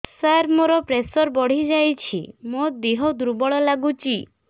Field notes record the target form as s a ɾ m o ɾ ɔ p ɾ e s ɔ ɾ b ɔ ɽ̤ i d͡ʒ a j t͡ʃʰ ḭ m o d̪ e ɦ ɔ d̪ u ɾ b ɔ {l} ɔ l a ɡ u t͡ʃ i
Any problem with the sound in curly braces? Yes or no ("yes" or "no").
yes